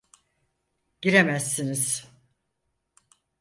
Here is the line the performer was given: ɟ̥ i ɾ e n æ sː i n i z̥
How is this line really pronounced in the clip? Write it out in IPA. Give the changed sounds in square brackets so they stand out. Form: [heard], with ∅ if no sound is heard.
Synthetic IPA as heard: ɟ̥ i ɾ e [m] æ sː i n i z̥